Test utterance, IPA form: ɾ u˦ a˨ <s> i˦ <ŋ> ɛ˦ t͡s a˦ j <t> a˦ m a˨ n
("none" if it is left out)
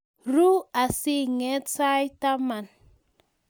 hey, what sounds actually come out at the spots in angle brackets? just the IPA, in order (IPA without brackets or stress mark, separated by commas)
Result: s, ŋ, t